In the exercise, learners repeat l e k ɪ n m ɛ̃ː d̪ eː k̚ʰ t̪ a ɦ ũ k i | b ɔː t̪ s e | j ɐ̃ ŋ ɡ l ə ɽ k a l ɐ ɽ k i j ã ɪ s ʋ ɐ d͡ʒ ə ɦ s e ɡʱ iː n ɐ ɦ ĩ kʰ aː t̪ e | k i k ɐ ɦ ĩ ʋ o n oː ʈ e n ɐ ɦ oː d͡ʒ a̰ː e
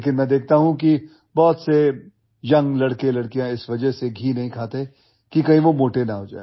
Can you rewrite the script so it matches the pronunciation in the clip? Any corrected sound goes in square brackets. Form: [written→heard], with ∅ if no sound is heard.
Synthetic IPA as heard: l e k ɪ n m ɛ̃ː d̪ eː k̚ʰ t̪ a ɦ ũ k i | b ɔː t̪ s e | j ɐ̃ ŋ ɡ l [ə→ɐ] ɽ k [a→e] l ɐ ɽ k i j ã ɪ s ʋ ɐ d͡ʒ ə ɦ s e ɡʱ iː n ɐ ɦ ĩ kʰ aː t̪ e | k i k ɐ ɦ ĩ ʋ o [n→m] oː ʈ e n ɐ ɦ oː d͡ʒ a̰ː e

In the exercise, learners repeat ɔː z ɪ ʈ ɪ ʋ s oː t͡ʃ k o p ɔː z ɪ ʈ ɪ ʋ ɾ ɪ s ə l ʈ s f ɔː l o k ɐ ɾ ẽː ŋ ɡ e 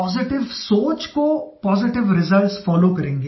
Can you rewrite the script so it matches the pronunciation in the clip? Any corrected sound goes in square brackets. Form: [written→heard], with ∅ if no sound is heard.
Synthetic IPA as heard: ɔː z ɪ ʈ ɪ ʋ s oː t͡ʃ k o p ɔː z ɪ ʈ ɪ ʋ ɾ ɪ [s→z] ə l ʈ s f ɔː l o k ɐ ɾ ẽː ŋ ɡ e

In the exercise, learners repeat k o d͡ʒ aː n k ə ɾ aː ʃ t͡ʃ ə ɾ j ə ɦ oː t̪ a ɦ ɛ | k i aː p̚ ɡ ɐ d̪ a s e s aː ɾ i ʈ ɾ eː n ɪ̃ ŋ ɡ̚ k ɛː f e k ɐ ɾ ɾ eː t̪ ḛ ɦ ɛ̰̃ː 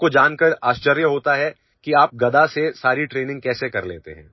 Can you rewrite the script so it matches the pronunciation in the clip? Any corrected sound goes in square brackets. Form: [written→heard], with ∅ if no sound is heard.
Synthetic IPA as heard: k o d͡ʒ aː n k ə ɾ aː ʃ t͡ʃ ə ɾ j ə ɦ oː t̪ a ɦ ɛ | k i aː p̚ ɡ ɐ d̪ a s e s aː ɾ i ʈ ɾ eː n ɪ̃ ŋ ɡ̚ k ɛː [f→s] e k ɐ ɾ [ɾ→l] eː t̪ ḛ ɦ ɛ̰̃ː

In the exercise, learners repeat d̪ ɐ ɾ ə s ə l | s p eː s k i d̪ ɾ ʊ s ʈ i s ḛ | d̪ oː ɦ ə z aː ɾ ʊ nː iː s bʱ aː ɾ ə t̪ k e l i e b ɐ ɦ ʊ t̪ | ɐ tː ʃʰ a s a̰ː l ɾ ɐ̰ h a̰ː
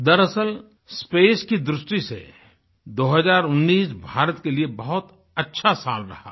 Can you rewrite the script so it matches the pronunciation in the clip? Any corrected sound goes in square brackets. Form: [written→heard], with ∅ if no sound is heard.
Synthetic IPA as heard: d̪ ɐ ɾ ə s ə l | s p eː s k i d̪ ɾ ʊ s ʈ i s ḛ | d̪ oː ɦ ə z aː ɾ ʊ nː iː s bʱ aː ɾ ə t̪ k e l i e b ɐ ɦ ʊ t̪ | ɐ tː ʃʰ a s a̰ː l ɾ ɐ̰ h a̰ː

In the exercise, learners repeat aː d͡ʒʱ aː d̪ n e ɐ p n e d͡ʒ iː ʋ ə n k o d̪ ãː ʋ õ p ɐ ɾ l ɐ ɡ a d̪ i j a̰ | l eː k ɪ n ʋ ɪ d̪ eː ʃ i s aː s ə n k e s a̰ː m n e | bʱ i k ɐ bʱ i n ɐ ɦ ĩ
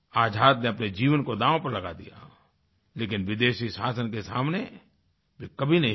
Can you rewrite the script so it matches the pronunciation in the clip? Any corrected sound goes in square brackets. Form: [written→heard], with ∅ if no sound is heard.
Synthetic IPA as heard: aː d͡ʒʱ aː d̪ n e ɐ p n e d͡ʒ iː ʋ ə n k o d̪ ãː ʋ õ p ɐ ɾ l ɐ ɡ a d̪ i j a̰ | l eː k ɪ n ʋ ɪ d̪ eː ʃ i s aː s ə n k e s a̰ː m n e | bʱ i k ɐ bʱ i n ɐ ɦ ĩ

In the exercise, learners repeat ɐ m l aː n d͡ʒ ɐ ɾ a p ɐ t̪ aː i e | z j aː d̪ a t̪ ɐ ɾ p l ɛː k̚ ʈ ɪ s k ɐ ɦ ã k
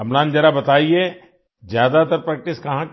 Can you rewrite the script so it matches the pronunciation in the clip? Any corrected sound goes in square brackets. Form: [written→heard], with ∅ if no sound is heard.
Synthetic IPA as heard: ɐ m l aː n d͡ʒ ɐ ɾ a [p→b] ɐ t̪ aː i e | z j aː d̪ a t̪ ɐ ɾ p [l→ɾ] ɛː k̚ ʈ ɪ s k ɐ ɦ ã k

